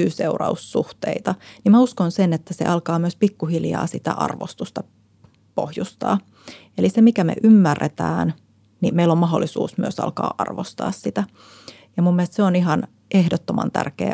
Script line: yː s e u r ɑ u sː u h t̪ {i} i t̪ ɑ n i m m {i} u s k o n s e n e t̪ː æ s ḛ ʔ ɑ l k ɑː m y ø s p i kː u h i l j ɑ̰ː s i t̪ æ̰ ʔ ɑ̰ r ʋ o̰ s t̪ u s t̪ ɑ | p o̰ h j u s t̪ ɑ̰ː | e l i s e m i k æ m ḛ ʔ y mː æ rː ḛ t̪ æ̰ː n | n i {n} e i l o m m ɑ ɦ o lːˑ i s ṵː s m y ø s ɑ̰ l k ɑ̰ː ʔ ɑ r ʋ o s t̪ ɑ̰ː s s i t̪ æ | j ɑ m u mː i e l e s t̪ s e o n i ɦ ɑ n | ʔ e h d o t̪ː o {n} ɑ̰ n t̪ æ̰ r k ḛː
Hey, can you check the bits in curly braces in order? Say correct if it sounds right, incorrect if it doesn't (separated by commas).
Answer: incorrect, incorrect, incorrect, incorrect